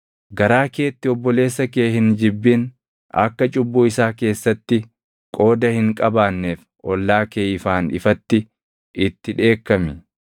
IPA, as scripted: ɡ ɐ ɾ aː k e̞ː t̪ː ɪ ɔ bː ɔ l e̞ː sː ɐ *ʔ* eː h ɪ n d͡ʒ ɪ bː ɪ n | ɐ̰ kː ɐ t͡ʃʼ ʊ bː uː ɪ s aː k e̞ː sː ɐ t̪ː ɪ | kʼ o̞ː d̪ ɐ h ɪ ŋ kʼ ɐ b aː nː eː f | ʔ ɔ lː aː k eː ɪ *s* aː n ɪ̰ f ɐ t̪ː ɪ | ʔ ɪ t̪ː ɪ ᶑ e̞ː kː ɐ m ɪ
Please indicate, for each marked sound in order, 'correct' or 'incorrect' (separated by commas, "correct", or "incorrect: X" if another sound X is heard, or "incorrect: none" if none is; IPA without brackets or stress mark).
incorrect: k, incorrect: f